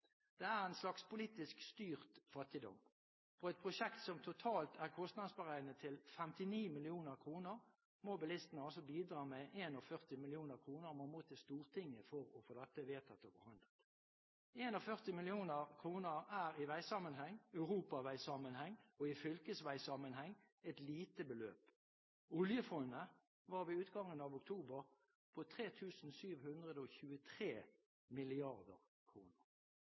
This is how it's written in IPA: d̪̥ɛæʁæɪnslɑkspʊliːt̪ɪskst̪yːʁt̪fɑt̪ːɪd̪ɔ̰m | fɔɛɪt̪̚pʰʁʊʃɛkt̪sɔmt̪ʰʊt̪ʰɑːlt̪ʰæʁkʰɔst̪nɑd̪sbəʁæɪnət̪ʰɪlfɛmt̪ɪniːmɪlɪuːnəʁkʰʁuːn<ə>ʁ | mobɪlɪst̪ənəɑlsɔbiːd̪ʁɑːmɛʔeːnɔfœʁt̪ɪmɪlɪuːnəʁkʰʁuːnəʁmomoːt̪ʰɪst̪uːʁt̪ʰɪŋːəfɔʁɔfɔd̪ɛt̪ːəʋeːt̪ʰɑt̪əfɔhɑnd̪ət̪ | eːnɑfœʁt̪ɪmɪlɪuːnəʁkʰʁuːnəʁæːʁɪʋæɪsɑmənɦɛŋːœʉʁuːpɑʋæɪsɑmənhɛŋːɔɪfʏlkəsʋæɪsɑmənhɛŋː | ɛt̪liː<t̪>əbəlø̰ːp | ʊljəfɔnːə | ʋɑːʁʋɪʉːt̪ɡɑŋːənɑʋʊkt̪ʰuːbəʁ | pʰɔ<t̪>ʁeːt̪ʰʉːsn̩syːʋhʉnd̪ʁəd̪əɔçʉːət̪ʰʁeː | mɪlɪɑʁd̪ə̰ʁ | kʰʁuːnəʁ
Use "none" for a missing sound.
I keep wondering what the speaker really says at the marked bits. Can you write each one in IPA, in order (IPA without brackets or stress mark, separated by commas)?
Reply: ə, t̪, t̪ʰ